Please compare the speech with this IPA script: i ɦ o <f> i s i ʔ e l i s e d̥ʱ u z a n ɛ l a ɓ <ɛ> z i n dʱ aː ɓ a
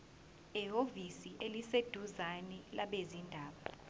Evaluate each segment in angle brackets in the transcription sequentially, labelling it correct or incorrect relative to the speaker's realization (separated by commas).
incorrect, incorrect